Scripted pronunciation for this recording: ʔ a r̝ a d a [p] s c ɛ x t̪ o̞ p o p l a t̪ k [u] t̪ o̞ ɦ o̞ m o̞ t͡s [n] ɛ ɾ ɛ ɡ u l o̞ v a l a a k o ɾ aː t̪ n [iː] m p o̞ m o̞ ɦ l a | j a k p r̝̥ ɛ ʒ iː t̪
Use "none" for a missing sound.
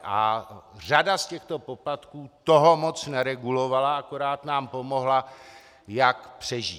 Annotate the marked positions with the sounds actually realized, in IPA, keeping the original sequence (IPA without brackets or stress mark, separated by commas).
none, uː, n, aː